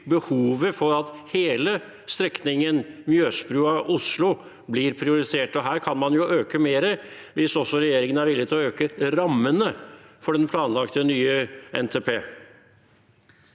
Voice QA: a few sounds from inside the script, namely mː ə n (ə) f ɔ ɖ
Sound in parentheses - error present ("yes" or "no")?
no